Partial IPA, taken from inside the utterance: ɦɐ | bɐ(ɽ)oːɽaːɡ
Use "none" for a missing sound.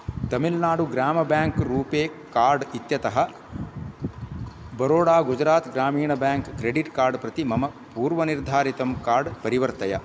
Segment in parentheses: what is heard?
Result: ɾ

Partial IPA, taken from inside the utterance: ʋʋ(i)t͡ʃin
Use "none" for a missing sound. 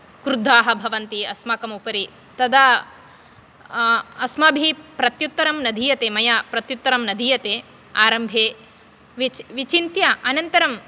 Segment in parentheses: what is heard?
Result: i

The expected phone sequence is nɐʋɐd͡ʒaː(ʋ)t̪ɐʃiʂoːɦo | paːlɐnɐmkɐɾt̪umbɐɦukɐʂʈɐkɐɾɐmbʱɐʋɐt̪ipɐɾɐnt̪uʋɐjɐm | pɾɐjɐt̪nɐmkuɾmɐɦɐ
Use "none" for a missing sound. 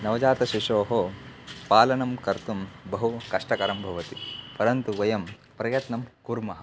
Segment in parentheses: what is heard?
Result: none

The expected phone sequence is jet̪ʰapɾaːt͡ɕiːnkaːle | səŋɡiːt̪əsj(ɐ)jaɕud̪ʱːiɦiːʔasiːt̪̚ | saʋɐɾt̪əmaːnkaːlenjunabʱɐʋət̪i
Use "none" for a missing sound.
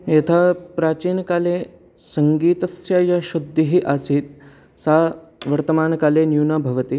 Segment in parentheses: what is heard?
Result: a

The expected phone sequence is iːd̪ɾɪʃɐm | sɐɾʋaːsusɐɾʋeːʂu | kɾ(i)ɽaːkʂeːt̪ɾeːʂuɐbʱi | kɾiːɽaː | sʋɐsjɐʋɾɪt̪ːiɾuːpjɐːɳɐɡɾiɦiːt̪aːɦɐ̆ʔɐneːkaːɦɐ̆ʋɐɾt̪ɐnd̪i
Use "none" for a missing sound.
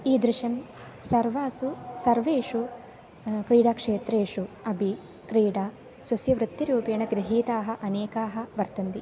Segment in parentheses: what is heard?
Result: iː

